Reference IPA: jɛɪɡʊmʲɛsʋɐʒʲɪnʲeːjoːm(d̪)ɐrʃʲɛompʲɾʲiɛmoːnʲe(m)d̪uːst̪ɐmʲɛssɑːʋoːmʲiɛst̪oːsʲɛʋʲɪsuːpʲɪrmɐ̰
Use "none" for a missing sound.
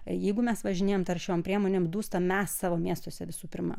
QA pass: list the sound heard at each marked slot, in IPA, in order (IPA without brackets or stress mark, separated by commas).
t̪, m